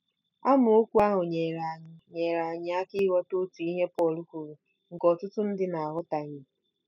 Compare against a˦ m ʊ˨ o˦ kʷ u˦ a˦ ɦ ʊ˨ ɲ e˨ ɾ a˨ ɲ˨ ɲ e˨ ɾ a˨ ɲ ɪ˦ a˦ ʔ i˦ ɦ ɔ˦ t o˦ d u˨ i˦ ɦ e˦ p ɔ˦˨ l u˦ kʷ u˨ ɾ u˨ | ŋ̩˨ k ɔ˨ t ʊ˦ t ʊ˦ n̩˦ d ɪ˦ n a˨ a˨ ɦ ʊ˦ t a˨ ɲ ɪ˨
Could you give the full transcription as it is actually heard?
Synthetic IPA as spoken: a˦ m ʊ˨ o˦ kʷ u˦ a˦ ɦ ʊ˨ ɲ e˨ ɾ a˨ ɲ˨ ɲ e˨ ɾ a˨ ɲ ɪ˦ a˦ k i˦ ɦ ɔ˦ t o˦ t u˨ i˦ ɦ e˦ p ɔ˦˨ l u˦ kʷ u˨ ɾ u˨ | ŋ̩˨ k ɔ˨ t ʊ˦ t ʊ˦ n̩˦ d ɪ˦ n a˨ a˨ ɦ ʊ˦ t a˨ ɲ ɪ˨